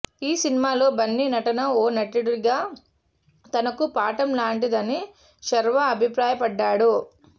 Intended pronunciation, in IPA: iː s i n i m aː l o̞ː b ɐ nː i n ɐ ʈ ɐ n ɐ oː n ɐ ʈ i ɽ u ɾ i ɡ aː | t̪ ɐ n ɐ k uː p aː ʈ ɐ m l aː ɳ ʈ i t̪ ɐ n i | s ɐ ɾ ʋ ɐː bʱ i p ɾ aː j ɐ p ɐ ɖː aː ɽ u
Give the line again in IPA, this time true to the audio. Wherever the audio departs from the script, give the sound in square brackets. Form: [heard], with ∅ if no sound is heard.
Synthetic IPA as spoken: iː s i n i m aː l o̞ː b ɐ nː i n ɐ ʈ ɐ n ɐ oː n ɐ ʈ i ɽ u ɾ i ɡ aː | t̪ ɐ n ɐ k [u] p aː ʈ ɐ m l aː ɳ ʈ i [d̪] ɐ n i | [ʃ] ɐ ɾ ʋ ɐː bʱ i p ɾ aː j ɐ p ɐ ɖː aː ɽ u